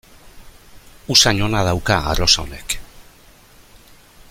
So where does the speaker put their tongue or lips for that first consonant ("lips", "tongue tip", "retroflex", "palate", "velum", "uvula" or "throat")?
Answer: tongue tip